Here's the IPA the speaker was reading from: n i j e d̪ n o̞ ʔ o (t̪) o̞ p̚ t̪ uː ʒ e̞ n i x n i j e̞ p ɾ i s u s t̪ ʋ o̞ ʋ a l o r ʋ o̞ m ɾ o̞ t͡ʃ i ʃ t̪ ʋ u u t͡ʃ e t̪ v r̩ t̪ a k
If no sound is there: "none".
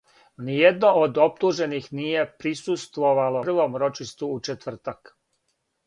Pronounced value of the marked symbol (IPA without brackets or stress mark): d̪